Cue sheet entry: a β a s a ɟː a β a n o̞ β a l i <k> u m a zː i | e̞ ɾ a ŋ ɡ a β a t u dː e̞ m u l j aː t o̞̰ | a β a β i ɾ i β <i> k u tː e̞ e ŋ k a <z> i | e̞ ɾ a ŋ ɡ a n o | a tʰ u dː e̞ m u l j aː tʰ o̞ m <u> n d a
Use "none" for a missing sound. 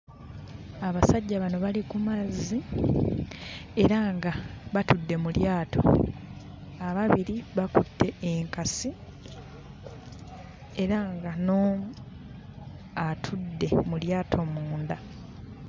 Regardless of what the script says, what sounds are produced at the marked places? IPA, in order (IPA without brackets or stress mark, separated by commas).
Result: k, a, s, uː